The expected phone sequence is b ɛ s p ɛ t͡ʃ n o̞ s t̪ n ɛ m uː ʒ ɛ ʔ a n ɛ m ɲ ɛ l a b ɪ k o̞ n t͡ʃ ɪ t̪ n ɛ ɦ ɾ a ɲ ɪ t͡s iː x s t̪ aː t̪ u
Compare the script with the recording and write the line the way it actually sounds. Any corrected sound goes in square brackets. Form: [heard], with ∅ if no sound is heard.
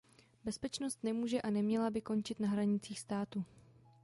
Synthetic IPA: b ɛ s p ɛ t͡ʃ n o̞ s t̪ n ɛ m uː ʒ ɛ ʔ a n ɛ m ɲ ɛ l a b ɪ k o̞ n t͡ʃ ɪ t̪ n [a] ɦ ɾ a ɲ ɪ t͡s iː x s t̪ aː t̪ u